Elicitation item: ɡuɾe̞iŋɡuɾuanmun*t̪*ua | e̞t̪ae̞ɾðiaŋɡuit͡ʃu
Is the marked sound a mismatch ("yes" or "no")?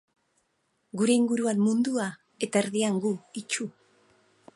yes